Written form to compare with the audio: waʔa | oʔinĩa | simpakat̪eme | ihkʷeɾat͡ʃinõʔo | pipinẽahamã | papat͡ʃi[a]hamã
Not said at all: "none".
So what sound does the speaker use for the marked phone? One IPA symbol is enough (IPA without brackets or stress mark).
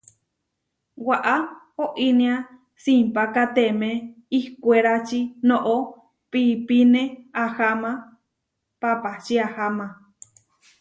a